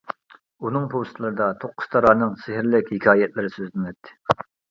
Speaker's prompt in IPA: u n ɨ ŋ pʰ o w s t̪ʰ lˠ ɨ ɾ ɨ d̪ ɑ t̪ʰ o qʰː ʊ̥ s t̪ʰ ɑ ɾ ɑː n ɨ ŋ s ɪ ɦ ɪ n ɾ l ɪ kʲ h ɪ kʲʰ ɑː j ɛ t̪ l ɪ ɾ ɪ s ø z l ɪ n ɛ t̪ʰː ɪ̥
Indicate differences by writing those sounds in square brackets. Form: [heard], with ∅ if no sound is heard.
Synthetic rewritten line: u n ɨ ŋ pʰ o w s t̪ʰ lˠ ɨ ɾ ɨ d̪ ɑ t̪ʰ o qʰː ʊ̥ s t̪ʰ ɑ ɾ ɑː n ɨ ŋ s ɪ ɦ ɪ [∅] ɾ l ɪ kʲ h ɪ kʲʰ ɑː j ɛ t̪ l ɪ ɾ ɪ s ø z l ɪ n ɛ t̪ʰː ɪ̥

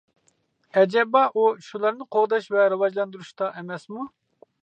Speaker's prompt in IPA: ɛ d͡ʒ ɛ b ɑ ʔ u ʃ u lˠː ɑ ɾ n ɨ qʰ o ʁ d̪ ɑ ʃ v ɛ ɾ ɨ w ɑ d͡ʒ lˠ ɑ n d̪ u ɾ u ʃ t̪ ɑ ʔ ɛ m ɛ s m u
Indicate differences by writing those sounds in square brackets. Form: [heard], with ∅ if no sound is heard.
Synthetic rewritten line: ɛ d͡ʒ ɛ b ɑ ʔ u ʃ u [lˠ] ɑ ɾ n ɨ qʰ o ʁ d̪ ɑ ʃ v ɛ ɾ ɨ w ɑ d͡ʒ lˠ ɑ n d̪ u ɾ u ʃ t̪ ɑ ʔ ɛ m ɛ s m u

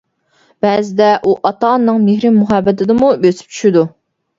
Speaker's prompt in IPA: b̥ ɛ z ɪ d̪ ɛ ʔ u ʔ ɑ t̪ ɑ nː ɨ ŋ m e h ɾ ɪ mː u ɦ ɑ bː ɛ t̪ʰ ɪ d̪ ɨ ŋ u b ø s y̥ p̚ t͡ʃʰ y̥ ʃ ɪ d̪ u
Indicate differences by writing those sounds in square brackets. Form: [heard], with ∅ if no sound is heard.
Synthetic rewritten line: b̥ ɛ z ɪ d̪ ɛ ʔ u ʔ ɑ t̪ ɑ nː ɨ ŋ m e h ɾ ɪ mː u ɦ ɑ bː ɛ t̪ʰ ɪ d̪ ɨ [m] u b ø s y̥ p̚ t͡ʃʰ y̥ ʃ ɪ d̪ u

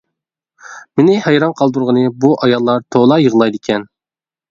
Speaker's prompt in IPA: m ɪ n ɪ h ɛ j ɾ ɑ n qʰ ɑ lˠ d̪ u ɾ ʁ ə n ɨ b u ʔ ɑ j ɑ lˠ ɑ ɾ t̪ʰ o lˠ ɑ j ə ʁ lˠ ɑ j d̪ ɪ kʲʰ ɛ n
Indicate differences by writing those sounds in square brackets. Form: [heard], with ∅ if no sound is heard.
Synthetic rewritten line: m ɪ n ɪ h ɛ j ɾ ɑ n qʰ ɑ lˠ d̪ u ɾ ʁ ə n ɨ b u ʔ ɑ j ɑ [lˠː] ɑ ɾ t̪ʰ o lˠ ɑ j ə ʁ lˠ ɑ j d̪ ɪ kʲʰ ɛ n

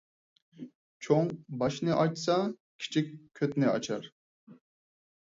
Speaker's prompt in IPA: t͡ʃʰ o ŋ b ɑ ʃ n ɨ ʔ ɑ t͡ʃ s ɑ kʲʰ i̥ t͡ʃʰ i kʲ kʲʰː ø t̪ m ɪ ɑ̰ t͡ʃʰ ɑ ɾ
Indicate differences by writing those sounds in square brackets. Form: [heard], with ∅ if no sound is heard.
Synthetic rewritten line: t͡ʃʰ o ŋ b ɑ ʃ n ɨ ʔ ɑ t͡ʃ s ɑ kʲʰ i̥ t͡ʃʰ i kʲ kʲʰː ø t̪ [n] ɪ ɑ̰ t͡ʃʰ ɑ ɾ

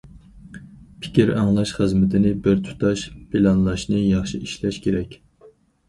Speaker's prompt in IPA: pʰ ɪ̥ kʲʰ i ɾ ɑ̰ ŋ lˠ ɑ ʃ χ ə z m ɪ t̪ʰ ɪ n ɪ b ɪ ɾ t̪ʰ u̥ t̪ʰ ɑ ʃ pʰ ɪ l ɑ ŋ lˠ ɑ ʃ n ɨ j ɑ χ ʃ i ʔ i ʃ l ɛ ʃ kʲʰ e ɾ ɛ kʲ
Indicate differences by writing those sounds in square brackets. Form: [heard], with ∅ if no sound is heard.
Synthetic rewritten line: pʰ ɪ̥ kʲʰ i ɾ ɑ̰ ŋ lˠ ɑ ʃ χ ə z m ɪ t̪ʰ ɪ n ɪ b ɪ ɾ t̪ʰ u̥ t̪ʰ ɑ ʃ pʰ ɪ l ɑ [n] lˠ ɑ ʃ n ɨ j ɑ χ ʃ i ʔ i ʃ l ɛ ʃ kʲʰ e ɾ ɛ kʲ

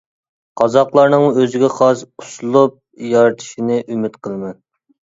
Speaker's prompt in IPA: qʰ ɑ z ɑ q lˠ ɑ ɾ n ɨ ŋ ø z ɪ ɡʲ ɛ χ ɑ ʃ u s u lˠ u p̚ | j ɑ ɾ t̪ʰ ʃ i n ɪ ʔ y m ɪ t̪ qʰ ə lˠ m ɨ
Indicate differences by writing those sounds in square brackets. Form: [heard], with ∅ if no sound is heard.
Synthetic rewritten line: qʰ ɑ z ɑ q lˠ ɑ ɾ n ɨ ŋ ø z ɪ ɡʲ ɛ χ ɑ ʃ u s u lˠ u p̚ | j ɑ ɾ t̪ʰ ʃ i n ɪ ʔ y m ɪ t̪ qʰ ə lˠ m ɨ

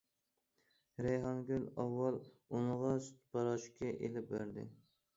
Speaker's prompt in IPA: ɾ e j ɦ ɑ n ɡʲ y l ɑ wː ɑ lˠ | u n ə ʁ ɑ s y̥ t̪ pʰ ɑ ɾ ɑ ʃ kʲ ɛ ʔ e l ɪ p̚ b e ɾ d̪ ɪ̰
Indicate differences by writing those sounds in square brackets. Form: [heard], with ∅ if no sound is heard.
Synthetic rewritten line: ɾ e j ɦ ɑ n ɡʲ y l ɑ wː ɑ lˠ | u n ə ʁ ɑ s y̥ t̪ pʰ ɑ ɾ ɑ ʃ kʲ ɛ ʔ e l ɪ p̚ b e ɾ d̪ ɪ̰

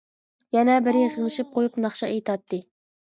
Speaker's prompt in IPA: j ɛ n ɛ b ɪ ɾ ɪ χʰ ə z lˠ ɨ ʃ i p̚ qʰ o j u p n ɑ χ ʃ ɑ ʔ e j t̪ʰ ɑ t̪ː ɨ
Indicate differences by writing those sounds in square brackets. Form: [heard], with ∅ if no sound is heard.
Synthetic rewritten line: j ɛ n ɛ b ɪ ɾ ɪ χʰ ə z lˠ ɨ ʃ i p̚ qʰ o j u p n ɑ χ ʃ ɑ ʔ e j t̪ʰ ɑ t̪ː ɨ

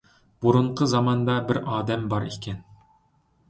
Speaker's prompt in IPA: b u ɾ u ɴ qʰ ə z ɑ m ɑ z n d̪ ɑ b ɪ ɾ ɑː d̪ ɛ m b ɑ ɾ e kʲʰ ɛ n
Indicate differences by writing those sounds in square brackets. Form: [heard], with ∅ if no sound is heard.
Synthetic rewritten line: b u ɾ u ɴ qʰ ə z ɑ m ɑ [∅] n d̪ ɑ b ɪ ɾ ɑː d̪ ɛ m b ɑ ɾ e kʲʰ ɛ n

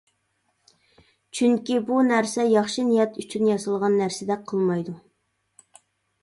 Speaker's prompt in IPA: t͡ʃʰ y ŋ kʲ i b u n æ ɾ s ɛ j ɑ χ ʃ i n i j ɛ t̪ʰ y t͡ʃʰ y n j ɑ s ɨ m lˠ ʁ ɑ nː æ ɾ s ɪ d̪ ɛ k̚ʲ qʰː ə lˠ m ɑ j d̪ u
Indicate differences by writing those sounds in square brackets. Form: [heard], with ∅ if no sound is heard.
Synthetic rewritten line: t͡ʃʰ y ŋ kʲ i b u n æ ɾ s ɛ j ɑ χ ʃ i n i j ɛ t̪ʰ y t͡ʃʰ y n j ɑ s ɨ [∅] lˠ ʁ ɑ nː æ ɾ s ɪ d̪ ɛ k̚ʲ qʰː ə lˠ m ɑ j d̪ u

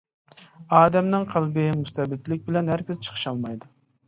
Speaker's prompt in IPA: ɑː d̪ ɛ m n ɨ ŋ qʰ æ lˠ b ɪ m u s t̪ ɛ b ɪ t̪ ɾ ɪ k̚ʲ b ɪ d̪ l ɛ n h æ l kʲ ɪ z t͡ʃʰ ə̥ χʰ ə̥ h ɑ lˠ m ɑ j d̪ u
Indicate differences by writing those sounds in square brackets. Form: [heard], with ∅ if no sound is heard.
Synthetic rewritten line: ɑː d̪ ɛ m n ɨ ŋ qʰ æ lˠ b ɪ m u s t̪ ɛ b ɪ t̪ [l] ɪ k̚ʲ b ɪ [∅] l ɛ n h æ [ɾ] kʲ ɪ z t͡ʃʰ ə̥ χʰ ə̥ [ʃ] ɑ lˠ m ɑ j d̪ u

